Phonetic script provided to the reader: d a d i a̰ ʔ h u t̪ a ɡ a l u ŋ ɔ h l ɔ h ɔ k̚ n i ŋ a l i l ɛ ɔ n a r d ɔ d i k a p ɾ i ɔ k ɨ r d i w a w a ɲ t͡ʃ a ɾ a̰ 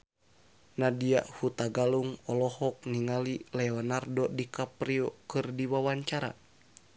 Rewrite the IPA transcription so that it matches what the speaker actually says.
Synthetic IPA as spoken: n a d i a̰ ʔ h u t̪ a ɡ a l u ŋ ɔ l ɔ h ɔ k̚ n i ŋ a l i l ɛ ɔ n a r d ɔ d i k a p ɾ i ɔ k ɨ r d i w a w a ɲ t͡ʃ a ɾ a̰